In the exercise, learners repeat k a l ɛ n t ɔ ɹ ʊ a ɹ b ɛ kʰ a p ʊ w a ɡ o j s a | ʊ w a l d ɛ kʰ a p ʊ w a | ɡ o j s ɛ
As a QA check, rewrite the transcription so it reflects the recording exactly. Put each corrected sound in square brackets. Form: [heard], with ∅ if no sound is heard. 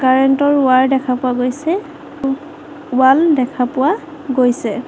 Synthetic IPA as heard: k a [ɹ] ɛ n t ɔ ɹ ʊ a ɹ [d] ɛ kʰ a p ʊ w a ɡ o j s [ɛ] | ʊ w a l d ɛ kʰ a p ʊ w a | ɡ o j s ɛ